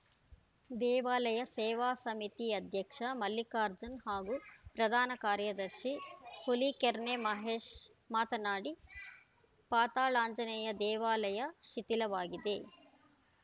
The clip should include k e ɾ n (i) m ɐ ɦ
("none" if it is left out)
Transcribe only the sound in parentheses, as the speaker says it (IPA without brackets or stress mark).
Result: e